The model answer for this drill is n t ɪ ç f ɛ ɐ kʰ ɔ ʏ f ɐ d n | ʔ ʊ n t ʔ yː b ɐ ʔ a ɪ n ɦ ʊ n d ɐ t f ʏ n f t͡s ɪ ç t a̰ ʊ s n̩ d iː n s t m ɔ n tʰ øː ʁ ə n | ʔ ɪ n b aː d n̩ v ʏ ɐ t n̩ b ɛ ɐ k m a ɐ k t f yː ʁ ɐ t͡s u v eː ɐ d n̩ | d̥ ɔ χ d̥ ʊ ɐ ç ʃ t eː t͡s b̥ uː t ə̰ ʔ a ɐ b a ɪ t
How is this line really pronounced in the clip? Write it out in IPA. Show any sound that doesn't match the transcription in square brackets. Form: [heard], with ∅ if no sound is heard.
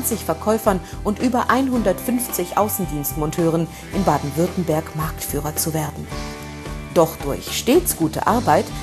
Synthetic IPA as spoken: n [t͡s] ɪ ç f ɛ ɐ kʰ ɔ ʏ f ɐ [∅] n | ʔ ʊ n t ʔ yː b ɐ ʔ a ɪ n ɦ ʊ n d ɐ t f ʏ n f t͡s ɪ ç [ʔ] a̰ ʊ s n̩ d iː n s t m ɔ n tʰ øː ʁ ə n | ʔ ɪ n b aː d n̩ v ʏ ɐ t n̩ b ɛ ɐ k m a ɐ k t f yː ʁ ɐ t͡s u v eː ɐ d n̩ | d̥ ɔ χ d̥ ʊ ɐ ç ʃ t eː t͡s [ɡ̥] uː t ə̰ ʔ a ɐ b a ɪ t